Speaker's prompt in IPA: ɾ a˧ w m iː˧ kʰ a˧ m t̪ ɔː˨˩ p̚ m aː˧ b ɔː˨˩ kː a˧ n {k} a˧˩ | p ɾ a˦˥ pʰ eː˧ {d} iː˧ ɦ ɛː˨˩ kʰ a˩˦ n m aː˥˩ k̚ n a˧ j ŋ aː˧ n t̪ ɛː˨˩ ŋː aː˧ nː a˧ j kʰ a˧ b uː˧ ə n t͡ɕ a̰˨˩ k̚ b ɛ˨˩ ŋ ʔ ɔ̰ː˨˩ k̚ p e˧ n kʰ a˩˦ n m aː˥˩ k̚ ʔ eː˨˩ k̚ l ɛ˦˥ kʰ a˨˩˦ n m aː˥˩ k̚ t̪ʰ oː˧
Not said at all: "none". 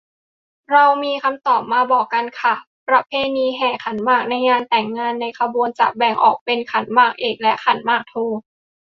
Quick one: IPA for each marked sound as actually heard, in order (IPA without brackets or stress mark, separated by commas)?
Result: kʰ, n